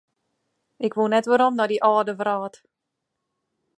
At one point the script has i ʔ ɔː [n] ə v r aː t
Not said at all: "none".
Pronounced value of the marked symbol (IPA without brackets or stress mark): d